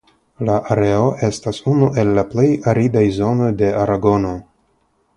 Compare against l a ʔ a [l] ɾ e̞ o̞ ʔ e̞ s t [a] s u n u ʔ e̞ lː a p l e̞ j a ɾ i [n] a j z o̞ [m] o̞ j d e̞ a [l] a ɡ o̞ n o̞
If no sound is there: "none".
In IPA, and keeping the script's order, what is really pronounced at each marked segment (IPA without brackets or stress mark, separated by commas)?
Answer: none, a, d, n, ɾ